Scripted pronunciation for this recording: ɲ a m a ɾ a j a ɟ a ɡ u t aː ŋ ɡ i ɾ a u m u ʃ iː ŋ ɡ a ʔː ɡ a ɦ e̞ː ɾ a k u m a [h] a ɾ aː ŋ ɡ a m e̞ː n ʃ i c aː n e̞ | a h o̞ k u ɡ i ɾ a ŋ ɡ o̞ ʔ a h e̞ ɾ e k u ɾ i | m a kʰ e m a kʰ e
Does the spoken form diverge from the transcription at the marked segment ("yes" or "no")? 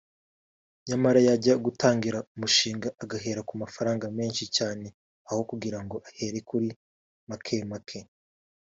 yes